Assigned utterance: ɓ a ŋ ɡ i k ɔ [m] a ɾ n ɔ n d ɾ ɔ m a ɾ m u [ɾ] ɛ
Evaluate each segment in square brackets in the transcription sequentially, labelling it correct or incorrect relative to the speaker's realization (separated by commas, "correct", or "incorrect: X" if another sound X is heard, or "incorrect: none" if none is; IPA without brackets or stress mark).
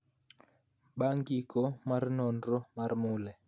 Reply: correct, incorrect: l